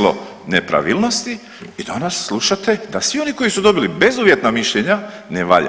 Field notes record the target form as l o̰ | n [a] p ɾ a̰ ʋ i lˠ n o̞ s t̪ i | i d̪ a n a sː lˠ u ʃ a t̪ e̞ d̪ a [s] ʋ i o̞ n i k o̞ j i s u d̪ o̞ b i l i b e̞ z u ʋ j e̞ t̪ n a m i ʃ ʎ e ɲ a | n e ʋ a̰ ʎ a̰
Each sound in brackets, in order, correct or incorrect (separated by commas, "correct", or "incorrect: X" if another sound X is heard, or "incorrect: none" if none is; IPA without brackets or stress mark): incorrect: e, correct